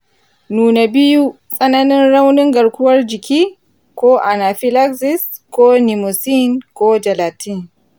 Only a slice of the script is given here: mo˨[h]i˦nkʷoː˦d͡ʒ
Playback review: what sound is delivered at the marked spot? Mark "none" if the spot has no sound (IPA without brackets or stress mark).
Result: s